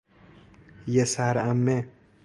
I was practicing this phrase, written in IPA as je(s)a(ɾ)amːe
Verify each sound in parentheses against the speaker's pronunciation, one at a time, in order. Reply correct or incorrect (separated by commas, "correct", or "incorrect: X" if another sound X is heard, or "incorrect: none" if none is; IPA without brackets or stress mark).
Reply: correct, correct